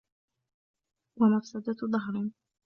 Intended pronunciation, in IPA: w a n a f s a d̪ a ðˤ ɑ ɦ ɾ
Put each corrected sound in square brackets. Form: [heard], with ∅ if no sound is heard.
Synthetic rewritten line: w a [m] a f s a d̪ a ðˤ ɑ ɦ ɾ